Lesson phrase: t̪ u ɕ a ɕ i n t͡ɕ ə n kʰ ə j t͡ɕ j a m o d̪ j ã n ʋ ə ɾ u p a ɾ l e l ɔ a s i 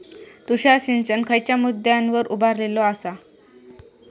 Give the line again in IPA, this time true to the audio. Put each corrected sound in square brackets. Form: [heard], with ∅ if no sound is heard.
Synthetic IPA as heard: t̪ u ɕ a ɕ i n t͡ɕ ə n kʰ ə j t͡ɕ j a m [u] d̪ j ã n ʋ ə ɾ u [b] a ɾ l e l ɔ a s [a]